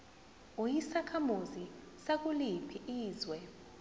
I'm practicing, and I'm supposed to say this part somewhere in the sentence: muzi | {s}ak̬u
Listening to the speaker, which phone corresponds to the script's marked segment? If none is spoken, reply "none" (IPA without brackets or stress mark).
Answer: s